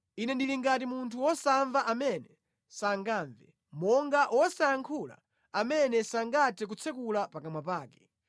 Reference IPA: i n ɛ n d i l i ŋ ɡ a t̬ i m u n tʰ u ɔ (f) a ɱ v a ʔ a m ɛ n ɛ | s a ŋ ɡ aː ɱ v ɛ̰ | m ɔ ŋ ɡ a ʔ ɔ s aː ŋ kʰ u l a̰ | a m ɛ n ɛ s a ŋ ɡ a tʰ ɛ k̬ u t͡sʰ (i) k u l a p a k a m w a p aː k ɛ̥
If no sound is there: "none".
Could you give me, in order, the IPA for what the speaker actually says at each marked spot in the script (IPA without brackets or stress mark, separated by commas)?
s, ɛ